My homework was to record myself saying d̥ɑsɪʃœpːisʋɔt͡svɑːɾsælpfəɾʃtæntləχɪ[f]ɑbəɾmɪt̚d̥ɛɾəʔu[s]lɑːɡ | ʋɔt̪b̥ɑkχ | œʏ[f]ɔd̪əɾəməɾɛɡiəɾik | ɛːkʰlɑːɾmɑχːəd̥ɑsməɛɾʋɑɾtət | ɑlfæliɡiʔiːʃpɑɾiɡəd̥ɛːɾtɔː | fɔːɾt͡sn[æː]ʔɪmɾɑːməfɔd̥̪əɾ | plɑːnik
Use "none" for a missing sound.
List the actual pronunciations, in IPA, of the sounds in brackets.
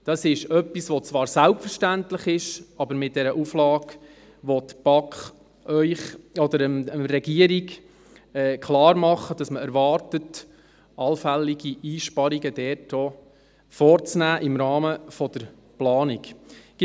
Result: ʃ, f, χ, æː

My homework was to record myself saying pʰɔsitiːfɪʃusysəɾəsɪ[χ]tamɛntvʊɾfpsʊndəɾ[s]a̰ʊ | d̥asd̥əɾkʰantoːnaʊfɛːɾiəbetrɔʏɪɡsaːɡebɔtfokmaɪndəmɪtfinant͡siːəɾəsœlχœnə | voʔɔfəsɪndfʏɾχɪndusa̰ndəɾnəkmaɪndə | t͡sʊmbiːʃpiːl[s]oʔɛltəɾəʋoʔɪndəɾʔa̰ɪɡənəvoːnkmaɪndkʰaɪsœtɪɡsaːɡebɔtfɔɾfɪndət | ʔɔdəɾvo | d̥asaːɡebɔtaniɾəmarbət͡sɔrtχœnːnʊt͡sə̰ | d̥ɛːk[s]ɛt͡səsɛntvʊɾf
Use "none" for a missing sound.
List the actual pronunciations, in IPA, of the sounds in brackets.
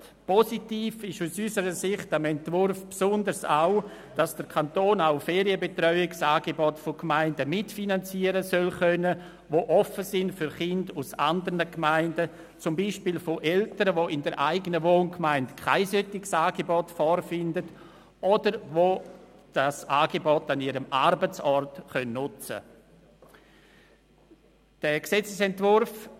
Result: χ, s, f, s

